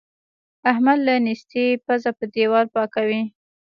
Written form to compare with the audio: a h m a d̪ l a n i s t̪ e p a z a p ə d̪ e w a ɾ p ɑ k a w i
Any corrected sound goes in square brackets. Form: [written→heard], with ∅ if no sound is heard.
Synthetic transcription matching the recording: a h m a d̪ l a n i s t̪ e p a z a p ə d̪ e w [a→ɑ] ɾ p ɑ k a w i